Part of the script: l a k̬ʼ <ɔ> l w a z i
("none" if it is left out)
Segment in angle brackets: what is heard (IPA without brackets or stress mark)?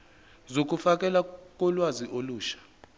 ɔ